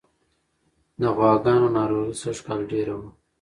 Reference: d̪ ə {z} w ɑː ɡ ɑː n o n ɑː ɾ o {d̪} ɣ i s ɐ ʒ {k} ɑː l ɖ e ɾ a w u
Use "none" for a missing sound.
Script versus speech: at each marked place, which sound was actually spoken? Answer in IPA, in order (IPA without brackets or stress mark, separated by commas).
ɣ, none, k